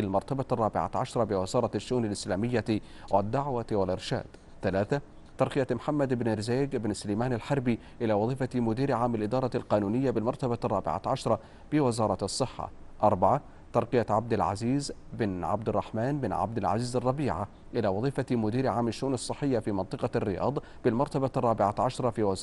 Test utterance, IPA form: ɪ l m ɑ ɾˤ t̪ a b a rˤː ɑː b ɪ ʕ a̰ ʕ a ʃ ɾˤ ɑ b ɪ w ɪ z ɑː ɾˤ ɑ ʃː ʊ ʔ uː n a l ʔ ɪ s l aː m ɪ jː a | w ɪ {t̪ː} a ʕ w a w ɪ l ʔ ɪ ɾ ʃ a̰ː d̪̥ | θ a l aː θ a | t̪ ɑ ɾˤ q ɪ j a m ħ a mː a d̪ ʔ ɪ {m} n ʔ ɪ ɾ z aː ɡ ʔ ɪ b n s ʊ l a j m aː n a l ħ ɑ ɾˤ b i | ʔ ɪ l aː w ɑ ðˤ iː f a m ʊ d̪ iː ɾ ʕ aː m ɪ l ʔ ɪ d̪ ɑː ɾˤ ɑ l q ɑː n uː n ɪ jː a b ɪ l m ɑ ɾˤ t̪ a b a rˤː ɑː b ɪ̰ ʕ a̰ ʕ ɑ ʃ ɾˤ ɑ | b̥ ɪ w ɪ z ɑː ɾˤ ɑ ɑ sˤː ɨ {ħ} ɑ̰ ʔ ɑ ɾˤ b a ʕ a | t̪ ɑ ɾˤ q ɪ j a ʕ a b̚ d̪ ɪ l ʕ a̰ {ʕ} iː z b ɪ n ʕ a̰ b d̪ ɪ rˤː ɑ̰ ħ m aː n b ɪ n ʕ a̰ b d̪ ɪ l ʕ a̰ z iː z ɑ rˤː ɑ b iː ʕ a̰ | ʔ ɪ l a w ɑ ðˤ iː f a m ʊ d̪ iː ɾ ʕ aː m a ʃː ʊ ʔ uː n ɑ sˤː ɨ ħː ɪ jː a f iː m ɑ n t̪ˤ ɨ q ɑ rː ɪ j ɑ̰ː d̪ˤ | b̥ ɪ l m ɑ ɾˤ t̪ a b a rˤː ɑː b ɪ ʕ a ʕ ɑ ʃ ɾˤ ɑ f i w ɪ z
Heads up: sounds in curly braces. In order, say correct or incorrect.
incorrect: d̪ː, incorrect: b, incorrect: ħː, incorrect: z

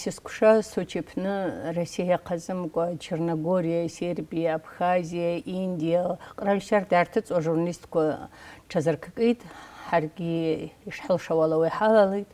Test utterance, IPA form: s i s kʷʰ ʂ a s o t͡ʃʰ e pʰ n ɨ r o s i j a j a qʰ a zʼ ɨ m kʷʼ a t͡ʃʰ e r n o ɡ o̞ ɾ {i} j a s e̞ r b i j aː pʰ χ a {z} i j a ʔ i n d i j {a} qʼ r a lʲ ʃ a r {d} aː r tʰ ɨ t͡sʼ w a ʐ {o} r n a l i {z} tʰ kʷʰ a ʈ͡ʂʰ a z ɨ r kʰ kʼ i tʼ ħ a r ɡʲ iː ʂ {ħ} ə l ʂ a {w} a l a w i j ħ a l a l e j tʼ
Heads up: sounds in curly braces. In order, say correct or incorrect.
correct, correct, correct, correct, incorrect: u, incorrect: s, correct, correct

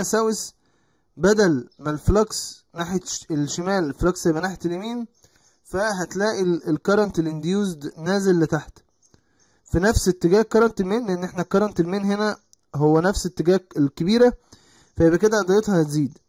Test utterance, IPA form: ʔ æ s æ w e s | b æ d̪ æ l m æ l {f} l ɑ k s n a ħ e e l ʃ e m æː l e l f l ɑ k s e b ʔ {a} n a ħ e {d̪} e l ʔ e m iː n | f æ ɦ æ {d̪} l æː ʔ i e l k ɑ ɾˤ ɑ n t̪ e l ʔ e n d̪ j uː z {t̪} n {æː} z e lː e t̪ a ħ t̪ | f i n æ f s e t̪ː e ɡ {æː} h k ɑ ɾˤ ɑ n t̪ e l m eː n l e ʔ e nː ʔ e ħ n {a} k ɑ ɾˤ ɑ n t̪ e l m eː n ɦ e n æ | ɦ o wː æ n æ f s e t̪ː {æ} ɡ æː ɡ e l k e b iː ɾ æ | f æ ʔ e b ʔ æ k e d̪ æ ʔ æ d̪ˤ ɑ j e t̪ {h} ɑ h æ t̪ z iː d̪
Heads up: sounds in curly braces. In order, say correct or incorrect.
correct, incorrect: æ, incorrect: t̪, incorrect: t̪, incorrect: d̪, correct, correct, incorrect: æ, incorrect: e, correct

